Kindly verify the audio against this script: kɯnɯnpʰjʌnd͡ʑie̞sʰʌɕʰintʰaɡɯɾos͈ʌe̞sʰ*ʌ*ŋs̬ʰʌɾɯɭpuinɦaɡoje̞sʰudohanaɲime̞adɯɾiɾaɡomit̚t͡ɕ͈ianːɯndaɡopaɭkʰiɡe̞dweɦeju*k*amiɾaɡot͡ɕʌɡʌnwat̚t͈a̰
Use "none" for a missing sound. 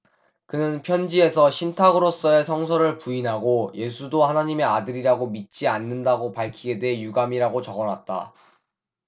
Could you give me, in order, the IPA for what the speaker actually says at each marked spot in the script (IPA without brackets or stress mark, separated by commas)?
ʌ, ɡ